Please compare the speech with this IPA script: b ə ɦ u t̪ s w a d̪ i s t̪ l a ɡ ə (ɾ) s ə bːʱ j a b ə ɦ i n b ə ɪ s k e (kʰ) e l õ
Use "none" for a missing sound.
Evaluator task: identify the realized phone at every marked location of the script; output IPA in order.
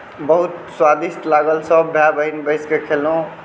l, kʰ

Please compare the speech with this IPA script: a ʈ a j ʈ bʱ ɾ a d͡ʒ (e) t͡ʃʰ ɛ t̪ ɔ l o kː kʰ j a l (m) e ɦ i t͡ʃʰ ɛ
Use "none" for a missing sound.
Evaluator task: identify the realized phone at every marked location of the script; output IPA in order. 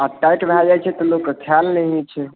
a, n

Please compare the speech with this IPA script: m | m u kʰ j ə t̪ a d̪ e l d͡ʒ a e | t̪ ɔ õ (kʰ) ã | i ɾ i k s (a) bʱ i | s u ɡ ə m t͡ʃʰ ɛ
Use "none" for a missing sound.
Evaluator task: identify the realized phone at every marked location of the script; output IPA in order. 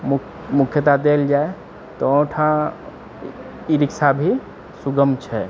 ʈʰ, a

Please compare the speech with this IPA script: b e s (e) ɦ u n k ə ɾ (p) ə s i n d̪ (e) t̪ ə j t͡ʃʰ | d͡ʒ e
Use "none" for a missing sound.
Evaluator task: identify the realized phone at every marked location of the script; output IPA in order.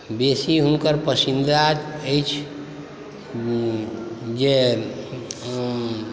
i, p, a

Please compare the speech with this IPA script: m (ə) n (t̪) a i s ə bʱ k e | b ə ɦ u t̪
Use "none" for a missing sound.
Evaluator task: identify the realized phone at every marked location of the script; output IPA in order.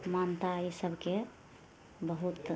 a, t̪

